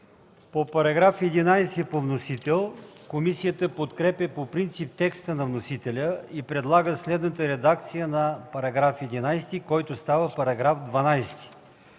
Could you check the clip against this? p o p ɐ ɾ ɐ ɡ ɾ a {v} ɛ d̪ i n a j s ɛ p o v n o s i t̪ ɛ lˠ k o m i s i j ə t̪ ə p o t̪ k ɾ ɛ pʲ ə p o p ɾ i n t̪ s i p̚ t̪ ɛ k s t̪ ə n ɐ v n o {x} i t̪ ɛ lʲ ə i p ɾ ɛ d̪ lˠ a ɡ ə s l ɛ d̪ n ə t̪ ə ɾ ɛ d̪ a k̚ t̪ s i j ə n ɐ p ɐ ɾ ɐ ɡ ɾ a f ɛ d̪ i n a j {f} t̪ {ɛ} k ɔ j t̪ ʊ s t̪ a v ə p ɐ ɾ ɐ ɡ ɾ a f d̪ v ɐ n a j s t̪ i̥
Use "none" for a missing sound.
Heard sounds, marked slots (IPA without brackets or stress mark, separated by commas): f, s, s, i